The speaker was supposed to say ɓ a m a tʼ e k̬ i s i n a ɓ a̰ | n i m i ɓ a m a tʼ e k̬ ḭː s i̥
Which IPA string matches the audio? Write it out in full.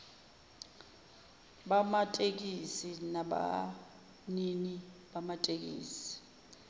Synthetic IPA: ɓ a m a tʼ e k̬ i s i n a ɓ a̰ | n i n i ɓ a m a tʼ e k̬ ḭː s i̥